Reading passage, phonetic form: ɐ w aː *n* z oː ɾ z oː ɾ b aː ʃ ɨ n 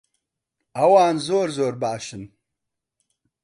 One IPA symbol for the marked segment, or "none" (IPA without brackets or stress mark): n